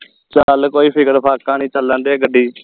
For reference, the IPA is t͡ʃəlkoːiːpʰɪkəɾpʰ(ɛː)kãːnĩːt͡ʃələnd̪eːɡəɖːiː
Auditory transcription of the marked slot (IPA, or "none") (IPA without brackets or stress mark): aː